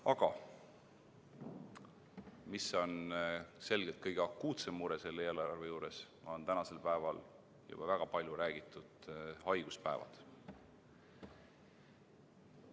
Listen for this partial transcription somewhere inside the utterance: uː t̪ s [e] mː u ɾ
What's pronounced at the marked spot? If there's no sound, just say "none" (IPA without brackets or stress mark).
e